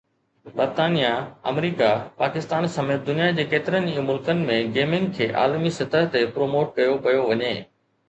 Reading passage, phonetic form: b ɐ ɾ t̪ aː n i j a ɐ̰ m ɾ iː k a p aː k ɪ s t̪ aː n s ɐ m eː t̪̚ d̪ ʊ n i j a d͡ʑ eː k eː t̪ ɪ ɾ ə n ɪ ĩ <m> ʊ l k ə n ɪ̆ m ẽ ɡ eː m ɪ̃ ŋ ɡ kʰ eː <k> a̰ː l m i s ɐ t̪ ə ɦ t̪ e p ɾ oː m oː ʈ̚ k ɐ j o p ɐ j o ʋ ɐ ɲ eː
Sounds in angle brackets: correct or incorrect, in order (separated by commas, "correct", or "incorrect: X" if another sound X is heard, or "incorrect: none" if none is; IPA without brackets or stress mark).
correct, incorrect: ʔ